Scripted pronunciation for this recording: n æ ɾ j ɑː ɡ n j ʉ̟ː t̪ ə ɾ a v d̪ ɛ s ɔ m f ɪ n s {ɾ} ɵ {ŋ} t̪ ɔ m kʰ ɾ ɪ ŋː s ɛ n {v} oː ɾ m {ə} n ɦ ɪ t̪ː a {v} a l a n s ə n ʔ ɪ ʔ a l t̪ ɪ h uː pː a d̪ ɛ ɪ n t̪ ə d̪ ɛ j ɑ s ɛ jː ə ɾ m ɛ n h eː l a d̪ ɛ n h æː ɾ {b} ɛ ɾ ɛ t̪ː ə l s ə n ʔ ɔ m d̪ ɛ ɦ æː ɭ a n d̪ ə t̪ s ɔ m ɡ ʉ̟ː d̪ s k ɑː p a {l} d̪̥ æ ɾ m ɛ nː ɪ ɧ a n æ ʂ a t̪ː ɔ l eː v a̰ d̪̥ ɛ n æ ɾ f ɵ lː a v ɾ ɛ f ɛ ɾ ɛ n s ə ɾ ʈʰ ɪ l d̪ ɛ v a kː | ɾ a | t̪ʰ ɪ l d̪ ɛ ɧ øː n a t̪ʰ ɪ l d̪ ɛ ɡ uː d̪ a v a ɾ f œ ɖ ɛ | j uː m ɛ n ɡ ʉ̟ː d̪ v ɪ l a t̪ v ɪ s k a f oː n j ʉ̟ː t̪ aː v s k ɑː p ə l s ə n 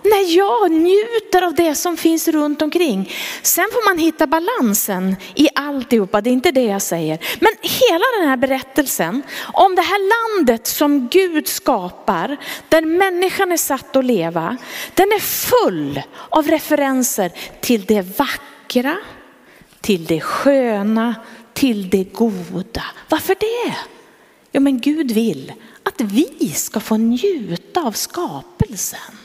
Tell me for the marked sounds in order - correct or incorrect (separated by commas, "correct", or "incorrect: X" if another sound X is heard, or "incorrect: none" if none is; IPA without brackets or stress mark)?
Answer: correct, incorrect: n, incorrect: f, incorrect: a, incorrect: b, correct, incorrect: ɾ